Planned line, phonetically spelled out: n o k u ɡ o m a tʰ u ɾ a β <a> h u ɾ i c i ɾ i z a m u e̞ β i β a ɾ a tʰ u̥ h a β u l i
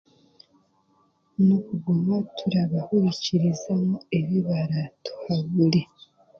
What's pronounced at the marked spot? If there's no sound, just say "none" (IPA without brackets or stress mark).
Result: a